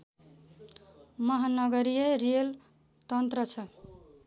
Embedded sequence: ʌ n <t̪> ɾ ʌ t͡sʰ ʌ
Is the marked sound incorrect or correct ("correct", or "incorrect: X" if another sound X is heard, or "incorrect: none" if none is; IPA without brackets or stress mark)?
correct